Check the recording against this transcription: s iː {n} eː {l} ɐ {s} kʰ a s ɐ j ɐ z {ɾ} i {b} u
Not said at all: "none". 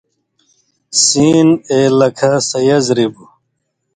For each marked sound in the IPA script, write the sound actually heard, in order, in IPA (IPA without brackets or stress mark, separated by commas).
n, l, none, ɾ, b